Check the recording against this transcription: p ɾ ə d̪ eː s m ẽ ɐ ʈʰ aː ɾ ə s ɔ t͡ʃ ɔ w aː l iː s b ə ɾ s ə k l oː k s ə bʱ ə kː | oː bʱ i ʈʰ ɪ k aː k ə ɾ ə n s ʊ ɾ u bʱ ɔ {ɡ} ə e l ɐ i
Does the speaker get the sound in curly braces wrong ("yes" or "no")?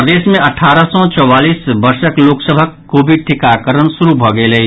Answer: no